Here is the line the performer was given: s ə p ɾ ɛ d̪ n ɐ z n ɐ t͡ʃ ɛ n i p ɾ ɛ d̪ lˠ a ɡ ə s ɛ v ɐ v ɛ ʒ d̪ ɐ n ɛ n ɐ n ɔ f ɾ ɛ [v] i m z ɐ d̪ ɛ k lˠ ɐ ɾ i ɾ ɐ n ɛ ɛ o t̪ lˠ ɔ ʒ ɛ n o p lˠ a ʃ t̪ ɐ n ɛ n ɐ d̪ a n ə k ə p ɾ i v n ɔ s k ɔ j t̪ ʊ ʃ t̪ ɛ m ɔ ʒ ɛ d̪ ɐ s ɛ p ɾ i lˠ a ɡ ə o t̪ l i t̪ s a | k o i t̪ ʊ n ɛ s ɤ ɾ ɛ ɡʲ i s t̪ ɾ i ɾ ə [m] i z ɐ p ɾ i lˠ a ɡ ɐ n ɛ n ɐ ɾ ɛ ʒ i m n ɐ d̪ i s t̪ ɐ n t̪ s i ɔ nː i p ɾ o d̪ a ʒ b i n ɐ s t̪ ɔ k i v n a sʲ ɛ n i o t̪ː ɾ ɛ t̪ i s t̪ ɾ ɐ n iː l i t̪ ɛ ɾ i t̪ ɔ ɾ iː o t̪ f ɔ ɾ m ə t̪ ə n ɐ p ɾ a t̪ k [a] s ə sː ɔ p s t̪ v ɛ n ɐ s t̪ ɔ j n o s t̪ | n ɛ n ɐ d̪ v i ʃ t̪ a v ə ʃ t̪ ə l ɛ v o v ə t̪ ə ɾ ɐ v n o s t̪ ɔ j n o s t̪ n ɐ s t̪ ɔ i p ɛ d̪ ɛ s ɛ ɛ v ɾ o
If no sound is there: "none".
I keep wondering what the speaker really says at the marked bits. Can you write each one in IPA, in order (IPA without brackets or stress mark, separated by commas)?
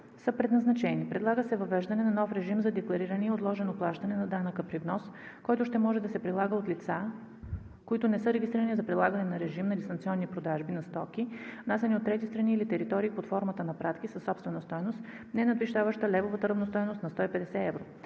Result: ʒ, n, i